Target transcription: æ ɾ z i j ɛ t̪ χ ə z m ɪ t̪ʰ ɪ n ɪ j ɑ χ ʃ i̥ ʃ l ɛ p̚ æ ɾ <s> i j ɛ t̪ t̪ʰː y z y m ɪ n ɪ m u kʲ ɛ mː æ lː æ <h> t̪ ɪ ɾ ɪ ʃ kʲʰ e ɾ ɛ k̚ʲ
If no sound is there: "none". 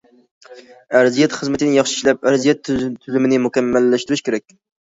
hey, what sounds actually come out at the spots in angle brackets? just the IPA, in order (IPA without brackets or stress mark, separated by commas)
z, ʃ